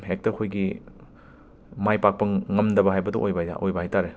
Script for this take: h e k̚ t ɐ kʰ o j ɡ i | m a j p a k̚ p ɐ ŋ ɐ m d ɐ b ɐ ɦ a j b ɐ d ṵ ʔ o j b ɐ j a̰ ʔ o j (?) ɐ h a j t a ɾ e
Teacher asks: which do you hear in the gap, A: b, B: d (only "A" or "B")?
A